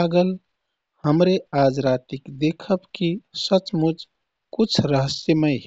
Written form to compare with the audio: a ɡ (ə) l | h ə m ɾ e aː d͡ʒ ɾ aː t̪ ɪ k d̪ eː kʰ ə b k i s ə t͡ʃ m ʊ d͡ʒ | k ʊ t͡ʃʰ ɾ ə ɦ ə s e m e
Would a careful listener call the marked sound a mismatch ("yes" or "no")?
no